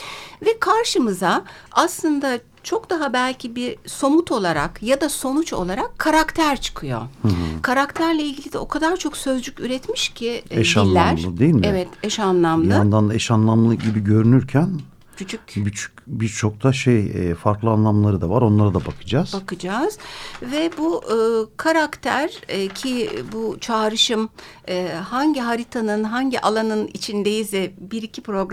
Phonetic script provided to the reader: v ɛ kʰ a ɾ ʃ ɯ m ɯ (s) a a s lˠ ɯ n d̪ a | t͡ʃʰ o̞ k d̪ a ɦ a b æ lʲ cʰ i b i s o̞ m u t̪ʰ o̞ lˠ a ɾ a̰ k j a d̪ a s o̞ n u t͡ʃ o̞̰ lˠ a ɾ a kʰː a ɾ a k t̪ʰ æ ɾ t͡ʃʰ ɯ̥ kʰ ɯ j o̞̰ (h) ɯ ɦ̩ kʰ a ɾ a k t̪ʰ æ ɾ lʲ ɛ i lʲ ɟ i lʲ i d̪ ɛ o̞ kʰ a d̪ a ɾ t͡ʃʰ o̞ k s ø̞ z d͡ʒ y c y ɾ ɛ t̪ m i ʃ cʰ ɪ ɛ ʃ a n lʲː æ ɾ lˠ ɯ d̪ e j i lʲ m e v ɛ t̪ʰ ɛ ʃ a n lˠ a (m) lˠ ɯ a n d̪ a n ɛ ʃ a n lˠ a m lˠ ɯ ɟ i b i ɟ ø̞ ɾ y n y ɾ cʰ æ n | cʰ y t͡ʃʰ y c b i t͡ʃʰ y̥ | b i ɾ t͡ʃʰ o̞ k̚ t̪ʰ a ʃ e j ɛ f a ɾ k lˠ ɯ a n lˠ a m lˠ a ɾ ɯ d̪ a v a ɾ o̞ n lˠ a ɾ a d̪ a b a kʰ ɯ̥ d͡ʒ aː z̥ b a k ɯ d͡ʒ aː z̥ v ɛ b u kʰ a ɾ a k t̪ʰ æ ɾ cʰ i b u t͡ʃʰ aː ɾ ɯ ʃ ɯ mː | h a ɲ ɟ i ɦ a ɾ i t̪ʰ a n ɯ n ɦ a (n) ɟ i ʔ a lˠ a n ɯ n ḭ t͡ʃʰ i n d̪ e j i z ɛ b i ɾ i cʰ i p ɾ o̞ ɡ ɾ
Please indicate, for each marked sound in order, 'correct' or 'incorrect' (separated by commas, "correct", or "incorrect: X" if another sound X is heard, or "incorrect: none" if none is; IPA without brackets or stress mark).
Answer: incorrect: z, correct, correct, incorrect: ɲ